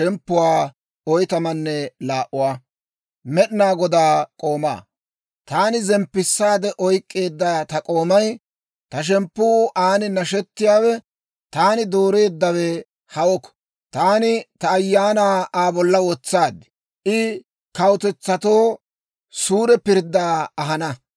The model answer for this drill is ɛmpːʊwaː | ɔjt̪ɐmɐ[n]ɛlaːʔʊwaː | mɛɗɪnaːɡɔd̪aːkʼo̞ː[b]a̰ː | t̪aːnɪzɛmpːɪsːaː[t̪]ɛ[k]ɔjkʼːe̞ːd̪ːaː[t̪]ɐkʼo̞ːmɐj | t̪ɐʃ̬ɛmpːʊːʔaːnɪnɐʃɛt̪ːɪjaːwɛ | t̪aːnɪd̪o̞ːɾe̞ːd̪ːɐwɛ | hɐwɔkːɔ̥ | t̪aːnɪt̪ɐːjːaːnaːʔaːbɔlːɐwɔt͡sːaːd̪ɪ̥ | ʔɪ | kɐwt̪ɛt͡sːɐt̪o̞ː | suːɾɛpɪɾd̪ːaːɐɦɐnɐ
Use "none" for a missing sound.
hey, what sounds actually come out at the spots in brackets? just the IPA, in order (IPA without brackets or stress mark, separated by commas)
nː, m, d̪, ʔ, t̪